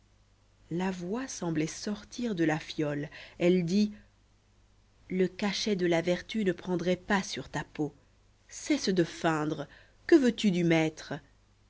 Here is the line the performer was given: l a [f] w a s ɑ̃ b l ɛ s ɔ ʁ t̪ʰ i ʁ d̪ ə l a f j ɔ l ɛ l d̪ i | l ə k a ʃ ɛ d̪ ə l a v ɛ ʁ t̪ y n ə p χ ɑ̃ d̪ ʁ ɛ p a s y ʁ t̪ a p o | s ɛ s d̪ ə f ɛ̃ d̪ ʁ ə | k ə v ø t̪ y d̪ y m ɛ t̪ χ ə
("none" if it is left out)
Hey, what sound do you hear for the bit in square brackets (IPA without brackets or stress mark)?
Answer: v